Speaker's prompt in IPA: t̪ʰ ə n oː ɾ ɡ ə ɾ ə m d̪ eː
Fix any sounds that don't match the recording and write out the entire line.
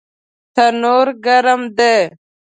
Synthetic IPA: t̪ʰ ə n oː ɾ ɡ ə ɾ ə m d̪ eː